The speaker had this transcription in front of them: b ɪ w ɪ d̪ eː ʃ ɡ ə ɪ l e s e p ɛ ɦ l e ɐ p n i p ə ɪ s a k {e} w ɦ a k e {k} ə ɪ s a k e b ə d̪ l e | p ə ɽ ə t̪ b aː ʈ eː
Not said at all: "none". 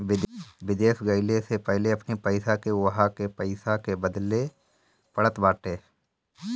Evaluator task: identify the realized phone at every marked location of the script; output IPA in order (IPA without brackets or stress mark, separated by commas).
e, p